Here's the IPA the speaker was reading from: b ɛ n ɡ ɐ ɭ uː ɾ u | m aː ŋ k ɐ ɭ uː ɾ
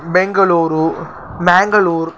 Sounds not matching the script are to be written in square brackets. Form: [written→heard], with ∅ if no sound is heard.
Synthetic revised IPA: b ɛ [n→ŋ] ɡ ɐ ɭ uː ɾ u | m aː ŋ [k→ɡ] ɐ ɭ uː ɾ